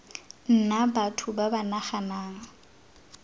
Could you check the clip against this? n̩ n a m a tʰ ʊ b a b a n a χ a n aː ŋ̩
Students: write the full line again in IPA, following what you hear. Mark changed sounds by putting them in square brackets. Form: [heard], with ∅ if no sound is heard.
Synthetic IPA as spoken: n̩ n a [b] a tʰ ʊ b a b a n a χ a n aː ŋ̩